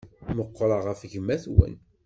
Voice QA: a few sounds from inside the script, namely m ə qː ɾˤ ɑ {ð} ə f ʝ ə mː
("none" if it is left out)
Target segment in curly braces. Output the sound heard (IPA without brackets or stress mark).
ʁ